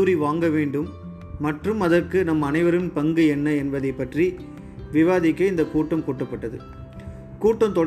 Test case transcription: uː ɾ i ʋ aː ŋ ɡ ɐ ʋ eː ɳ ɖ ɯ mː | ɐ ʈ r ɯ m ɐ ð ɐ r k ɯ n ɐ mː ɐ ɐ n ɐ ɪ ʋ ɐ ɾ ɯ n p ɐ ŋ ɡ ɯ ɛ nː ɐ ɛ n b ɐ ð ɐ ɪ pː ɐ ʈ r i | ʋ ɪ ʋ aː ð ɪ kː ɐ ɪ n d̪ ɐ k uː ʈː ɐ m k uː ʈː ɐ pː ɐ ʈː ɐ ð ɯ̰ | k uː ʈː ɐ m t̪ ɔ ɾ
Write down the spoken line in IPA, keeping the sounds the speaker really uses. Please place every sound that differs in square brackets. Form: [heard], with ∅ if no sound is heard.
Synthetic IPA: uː ɾ i ʋ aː ŋ ɡ ɐ ʋ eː ɳ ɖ ɯ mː | ɐ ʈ r ɯ m ɐ ð ɐ r k ɯ n ɐ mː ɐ ɐ n ɐ ɪ ʋ ɐ ɾ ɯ n p ɐ ŋ ɡ ɯ ɛ nː ɐ ɛ n b ɐ ð ɐ ɪ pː ɐ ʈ r i | ʋ ɪ ʋ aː ð ɪ kː ɐ ɪ n d̪ ɐ k uː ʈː ɐ m k uː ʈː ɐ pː ɐ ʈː ɐ ð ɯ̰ | k uː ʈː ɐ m t̪ ɔ [ɽ]